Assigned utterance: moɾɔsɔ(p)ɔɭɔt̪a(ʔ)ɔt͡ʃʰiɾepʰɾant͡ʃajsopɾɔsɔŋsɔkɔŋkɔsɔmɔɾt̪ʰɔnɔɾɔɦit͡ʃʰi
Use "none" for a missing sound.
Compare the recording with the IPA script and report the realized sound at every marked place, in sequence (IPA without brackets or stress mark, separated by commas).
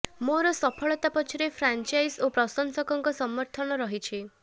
pʰ, p